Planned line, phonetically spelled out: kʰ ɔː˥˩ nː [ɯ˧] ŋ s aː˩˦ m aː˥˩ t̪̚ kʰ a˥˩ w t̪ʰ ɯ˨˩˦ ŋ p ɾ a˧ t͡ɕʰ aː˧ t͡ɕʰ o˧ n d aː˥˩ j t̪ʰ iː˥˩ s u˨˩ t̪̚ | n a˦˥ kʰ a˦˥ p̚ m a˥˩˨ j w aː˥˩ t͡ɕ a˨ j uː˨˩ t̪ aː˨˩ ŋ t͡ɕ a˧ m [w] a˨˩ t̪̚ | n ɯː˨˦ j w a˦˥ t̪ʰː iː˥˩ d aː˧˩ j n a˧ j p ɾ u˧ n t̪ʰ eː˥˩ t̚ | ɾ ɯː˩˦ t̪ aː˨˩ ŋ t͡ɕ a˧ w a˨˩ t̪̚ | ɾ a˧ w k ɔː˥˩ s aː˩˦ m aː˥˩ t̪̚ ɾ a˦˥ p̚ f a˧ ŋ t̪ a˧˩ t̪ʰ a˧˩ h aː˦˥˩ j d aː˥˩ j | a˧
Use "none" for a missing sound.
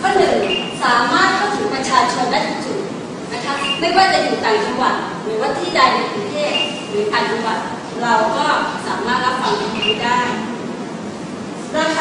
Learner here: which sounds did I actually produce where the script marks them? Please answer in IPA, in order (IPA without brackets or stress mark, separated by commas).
ɯ˨˩, w